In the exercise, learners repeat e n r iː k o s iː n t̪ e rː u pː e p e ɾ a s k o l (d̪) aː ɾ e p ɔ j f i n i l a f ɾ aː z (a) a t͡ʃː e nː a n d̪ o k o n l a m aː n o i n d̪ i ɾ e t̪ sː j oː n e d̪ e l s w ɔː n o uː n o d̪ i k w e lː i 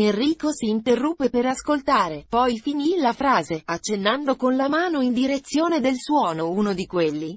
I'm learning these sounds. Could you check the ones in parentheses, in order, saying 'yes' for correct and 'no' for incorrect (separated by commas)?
no, no